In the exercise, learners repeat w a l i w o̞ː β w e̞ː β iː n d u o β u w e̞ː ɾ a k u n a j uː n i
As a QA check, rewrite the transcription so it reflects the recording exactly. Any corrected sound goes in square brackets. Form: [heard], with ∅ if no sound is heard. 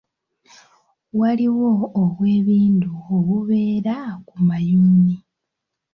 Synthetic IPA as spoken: w a l i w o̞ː β w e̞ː β iː n d u o β u [β] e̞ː ɾ a k u [m] a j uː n i